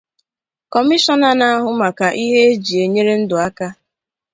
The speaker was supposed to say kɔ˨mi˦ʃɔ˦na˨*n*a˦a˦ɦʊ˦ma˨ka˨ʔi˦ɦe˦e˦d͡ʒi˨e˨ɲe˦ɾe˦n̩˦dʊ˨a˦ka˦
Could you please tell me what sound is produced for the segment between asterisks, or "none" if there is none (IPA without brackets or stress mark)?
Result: n